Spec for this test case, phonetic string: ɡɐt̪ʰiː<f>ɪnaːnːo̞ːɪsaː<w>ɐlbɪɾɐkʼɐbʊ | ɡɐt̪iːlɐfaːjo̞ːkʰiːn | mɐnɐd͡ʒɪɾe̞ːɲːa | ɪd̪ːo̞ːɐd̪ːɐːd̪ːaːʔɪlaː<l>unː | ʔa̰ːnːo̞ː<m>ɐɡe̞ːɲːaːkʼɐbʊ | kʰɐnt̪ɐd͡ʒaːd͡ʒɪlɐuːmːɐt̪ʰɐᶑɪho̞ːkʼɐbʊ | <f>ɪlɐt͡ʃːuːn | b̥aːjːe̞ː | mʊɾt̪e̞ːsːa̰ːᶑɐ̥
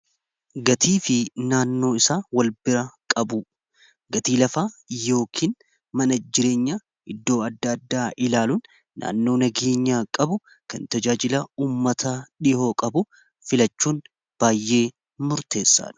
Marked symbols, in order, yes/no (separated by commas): yes, yes, yes, no, yes